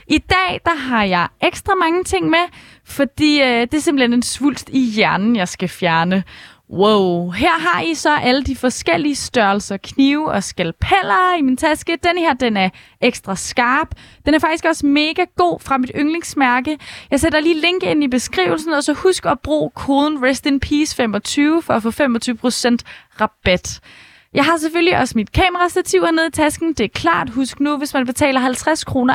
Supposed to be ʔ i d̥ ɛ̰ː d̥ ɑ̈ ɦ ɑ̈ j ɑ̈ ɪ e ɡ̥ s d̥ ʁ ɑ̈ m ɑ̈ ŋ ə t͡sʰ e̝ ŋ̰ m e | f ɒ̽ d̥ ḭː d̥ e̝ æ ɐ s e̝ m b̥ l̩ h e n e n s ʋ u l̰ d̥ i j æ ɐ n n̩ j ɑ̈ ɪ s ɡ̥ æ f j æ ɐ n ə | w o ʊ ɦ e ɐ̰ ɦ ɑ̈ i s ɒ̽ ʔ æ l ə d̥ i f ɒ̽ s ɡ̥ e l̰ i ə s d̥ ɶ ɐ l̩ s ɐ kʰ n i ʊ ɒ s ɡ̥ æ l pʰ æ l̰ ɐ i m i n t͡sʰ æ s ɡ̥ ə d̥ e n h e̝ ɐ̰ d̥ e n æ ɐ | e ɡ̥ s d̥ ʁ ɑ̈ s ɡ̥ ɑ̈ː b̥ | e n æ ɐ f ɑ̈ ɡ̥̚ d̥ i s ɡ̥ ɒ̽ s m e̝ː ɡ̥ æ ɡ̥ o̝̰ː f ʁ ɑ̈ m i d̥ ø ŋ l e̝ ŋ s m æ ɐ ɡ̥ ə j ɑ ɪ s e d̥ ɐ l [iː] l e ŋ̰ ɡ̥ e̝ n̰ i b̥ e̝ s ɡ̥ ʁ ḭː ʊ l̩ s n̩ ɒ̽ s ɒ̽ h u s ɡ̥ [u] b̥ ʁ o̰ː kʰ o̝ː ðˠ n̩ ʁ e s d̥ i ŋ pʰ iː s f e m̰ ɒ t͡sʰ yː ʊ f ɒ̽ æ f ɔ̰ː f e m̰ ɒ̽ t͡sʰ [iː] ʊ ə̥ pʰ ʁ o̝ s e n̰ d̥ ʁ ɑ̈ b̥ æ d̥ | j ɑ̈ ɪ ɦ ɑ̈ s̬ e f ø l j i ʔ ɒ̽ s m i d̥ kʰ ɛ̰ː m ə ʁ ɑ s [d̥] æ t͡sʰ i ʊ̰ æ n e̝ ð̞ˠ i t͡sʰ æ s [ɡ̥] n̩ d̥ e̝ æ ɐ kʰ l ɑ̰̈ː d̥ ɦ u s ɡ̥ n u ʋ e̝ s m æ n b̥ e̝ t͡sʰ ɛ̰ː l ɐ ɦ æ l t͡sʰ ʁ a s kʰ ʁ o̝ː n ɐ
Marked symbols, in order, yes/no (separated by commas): yes, no, no, yes, yes